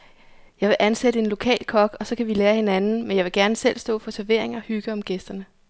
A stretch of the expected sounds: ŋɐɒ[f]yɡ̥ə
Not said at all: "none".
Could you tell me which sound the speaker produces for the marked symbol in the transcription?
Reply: h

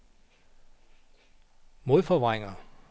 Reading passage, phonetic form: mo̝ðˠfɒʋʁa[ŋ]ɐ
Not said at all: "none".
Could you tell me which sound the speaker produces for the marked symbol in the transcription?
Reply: ŋ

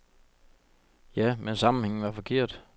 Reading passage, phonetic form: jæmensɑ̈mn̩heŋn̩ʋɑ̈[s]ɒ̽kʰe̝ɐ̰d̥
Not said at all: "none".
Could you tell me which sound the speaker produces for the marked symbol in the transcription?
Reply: f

